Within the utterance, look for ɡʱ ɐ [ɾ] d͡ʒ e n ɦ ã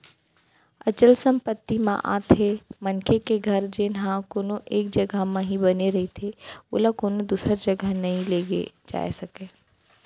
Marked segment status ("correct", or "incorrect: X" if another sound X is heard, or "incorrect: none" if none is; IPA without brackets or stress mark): correct